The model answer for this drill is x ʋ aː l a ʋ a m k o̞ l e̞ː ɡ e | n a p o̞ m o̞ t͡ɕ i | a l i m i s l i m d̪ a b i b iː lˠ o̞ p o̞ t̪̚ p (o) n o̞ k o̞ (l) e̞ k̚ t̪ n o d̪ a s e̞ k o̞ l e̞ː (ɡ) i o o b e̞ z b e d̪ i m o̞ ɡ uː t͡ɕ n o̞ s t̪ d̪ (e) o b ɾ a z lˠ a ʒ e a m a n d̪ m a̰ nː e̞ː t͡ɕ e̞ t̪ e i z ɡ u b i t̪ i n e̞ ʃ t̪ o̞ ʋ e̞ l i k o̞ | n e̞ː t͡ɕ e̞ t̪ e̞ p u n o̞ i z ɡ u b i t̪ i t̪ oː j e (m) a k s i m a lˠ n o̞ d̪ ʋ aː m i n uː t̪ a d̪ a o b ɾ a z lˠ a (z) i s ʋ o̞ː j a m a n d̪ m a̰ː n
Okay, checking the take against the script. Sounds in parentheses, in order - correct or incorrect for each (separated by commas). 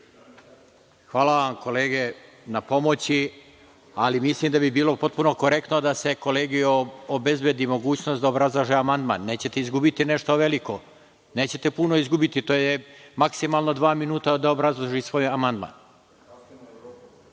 incorrect, incorrect, correct, incorrect, correct, incorrect